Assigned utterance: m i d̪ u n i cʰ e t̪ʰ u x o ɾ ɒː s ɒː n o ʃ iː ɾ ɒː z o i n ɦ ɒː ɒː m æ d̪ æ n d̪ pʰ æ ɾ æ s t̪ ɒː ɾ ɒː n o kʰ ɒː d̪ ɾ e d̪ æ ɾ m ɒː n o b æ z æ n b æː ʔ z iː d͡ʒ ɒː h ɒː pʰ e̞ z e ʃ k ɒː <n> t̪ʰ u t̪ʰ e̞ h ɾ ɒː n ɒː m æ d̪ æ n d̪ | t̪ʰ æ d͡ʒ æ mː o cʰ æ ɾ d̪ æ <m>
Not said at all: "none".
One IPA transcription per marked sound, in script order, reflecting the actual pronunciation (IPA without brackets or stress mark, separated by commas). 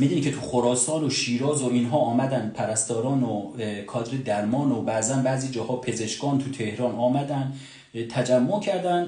n, n